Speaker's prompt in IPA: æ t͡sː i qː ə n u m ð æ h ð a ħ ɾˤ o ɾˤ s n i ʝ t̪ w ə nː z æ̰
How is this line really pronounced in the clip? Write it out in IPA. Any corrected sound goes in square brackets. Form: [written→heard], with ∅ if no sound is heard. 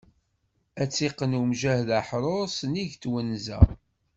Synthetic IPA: æ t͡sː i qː ə n u m [ð→ʒ] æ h ð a ħ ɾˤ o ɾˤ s n i ʝ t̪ w ə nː z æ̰